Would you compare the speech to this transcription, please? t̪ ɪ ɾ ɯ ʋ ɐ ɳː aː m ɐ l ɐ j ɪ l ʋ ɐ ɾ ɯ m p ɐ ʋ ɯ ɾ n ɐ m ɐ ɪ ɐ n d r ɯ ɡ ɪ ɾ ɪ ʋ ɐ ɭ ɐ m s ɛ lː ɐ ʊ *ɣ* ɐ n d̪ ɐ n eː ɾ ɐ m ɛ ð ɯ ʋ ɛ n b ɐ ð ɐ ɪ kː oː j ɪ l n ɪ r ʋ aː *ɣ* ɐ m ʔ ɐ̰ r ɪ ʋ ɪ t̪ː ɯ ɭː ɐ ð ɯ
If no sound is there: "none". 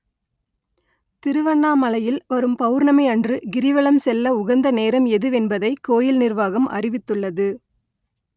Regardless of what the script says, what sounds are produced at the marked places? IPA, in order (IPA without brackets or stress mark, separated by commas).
ɣ, ɣ